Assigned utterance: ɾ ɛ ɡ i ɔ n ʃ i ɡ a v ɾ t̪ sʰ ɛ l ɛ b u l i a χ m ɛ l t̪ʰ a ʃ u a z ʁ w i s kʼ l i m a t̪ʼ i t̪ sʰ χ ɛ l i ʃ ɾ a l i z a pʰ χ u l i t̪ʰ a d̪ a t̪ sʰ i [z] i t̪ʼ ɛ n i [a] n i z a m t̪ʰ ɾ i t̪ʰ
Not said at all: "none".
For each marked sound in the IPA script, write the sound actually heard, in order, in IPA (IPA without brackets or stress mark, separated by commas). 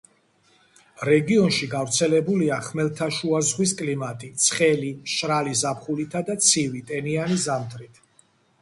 v, a